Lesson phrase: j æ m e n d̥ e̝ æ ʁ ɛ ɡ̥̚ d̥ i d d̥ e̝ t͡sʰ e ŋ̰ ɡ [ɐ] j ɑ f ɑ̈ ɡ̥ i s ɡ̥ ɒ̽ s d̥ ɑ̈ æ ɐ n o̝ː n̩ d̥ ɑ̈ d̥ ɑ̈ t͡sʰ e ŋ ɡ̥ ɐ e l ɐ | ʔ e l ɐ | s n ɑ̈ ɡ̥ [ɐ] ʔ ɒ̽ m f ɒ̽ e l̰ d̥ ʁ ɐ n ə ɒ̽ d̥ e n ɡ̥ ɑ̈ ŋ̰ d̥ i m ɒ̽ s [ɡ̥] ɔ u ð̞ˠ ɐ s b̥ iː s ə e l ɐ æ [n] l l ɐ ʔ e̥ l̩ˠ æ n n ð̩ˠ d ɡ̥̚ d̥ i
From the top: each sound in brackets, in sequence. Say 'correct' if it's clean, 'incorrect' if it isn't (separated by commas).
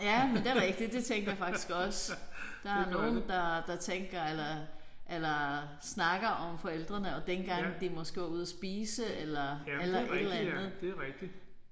correct, correct, correct, incorrect